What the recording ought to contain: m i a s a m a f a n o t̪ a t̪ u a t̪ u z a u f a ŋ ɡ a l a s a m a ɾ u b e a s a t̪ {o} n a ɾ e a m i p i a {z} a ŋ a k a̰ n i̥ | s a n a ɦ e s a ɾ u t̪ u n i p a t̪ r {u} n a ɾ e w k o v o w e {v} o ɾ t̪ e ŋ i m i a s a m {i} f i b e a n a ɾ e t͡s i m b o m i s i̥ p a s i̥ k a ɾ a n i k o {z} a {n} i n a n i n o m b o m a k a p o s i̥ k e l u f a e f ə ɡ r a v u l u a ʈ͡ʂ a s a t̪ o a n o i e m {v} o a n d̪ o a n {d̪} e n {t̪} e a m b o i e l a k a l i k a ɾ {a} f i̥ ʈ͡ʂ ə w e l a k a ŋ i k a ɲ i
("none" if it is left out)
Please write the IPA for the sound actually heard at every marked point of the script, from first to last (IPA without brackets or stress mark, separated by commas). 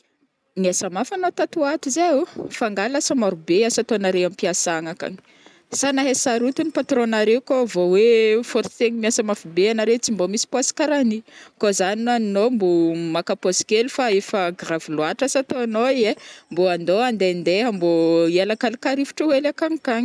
o, s, o, f, a, z, n, b, d̪, d̪, i